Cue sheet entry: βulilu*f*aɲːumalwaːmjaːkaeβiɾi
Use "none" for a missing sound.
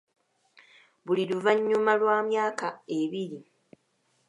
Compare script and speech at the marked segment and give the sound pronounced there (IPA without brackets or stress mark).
v